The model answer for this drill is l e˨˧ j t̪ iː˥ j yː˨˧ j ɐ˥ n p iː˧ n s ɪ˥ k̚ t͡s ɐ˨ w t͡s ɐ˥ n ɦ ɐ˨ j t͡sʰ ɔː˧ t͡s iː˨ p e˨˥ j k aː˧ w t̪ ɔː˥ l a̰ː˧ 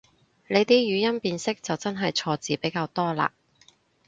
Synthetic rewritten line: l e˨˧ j t̪ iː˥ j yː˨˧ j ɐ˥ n p iː˧ n s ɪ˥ k̚ t͡s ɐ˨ w t͡s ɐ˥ n ɦ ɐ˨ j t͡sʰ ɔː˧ t͡s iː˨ p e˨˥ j k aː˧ w t̪ ɔː˥ l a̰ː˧